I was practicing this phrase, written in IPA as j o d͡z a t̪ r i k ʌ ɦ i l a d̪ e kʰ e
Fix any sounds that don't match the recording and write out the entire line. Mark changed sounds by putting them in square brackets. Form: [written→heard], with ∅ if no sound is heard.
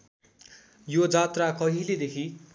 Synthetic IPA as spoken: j o d͡z a t̪ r [i→a] k ʌ ɦ i l [a→e] d̪ e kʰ [e→i]